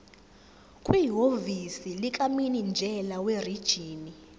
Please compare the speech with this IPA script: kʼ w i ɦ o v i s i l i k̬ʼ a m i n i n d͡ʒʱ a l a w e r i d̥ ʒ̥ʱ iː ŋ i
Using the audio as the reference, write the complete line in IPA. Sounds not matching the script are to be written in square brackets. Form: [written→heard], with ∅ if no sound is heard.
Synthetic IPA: kʼ w i ɦ o v i s i l i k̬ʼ a m i n i n d͡ʒʱ [a→ɛ] l a w e r i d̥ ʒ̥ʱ iː [ŋ→n] i